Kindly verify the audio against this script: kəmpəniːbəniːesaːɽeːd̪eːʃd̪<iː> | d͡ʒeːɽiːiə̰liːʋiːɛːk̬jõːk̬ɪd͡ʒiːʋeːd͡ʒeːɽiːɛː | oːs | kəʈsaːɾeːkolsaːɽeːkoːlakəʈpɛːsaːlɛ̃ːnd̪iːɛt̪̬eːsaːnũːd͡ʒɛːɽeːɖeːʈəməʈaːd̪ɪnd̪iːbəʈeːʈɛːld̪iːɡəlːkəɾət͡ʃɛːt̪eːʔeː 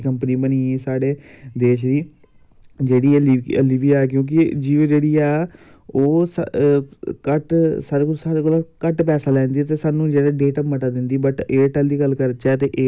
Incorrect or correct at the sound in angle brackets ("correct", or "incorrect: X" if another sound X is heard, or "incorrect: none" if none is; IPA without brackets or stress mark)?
correct